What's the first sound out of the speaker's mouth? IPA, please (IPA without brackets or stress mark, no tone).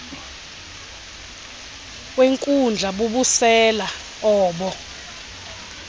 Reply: w